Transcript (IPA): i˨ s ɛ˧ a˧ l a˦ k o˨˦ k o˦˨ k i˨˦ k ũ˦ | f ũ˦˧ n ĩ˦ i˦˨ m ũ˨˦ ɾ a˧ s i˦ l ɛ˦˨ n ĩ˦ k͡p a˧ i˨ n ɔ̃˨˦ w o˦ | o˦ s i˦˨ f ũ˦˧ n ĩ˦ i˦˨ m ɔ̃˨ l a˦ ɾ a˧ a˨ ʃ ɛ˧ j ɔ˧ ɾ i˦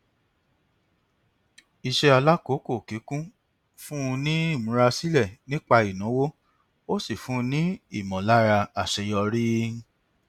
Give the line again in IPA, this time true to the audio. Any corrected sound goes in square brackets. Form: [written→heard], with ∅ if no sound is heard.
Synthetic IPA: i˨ [s→ʃ] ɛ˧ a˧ l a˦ k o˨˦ k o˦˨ k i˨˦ k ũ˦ | f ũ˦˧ n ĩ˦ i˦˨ m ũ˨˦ ɾ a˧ s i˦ l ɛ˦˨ n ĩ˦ k͡p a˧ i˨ n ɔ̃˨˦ w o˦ | o˦ s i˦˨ f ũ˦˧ n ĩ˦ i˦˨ m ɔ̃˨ l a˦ ɾ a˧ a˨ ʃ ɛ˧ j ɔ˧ ɾ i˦